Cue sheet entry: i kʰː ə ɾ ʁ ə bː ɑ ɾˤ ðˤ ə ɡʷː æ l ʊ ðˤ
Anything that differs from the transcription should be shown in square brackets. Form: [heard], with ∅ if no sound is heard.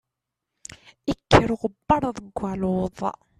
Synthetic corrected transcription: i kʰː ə ɾ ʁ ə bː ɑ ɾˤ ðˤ ə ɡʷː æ l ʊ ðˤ